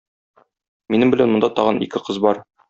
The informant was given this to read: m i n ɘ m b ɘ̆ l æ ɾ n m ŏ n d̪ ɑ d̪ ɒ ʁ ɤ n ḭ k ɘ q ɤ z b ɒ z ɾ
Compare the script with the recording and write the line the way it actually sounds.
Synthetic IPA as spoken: m i n ɘ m b ɘ̆ l æ n m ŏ n d̪ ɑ t̪ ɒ ʁ ɤ n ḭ k ɘ q ɤ z b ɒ ɾ